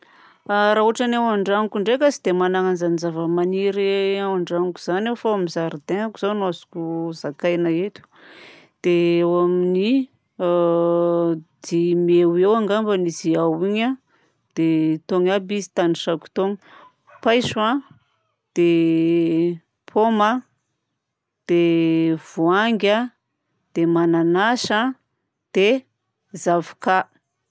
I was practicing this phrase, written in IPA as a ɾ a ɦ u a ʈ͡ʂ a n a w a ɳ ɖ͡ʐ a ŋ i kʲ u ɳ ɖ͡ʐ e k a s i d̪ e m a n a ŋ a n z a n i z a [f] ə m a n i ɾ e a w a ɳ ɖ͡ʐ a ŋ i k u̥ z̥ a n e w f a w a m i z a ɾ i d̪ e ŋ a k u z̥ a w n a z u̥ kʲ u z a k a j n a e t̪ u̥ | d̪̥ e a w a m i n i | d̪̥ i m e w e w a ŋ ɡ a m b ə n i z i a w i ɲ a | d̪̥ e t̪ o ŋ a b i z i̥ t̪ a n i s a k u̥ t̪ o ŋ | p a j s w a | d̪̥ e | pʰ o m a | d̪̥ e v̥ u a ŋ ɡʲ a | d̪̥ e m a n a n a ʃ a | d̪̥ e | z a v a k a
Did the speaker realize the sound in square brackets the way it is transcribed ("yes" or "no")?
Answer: no